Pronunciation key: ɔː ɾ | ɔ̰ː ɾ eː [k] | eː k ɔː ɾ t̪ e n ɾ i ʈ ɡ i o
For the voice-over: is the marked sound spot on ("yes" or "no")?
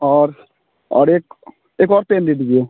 yes